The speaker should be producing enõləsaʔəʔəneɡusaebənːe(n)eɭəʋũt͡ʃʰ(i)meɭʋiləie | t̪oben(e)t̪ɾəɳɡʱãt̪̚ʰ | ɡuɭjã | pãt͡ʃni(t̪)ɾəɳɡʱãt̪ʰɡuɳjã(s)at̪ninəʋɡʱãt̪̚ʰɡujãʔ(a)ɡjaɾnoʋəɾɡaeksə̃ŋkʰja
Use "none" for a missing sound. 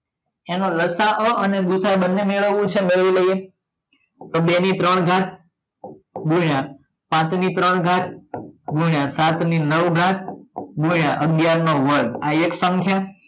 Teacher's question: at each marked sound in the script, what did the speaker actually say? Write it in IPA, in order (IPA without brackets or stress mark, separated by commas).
m, e, i, t̪, s, ə